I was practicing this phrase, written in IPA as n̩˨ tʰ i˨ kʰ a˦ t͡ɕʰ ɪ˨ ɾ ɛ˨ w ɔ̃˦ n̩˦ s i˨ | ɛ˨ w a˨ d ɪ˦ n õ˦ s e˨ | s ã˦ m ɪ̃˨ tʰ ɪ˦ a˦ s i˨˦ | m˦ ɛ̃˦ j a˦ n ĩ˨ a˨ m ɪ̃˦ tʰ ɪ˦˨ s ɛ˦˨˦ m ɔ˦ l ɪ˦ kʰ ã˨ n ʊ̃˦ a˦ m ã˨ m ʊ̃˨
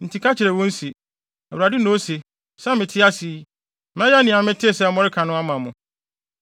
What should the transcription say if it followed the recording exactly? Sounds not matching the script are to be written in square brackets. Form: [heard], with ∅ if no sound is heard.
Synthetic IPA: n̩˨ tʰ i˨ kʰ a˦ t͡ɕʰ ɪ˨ ɾ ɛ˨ w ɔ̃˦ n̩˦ s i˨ | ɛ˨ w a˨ d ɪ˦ n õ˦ s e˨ | s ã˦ m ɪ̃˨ tʰ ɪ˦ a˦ s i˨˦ | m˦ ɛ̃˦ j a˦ n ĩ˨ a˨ m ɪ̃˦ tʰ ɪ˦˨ s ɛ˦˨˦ m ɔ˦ [ɾ] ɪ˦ kʰ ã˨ n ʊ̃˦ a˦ m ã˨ m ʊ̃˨